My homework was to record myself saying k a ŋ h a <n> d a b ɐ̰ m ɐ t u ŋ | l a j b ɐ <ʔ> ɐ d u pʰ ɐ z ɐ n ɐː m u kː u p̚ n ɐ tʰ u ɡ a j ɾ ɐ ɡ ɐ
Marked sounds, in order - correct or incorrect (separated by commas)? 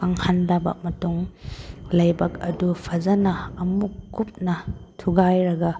correct, incorrect